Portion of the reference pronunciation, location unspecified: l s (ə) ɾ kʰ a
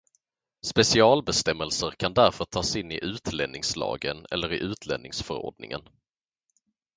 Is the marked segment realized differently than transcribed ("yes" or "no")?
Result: no